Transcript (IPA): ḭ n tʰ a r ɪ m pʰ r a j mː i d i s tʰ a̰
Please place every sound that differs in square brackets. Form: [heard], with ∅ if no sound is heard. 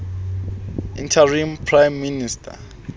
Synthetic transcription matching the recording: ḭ n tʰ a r [i] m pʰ r a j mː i [n] i s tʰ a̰